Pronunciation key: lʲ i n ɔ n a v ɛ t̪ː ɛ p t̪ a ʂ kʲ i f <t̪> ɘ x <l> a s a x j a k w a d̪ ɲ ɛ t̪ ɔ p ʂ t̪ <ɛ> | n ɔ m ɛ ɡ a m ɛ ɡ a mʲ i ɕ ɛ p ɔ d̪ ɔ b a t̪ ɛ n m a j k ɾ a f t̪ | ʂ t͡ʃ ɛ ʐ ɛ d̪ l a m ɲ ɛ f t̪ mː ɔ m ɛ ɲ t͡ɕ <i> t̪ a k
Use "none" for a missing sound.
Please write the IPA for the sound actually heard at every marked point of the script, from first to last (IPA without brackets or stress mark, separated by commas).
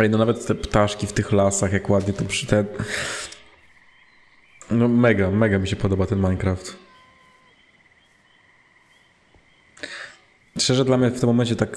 t̪, l, ɛ, ɛ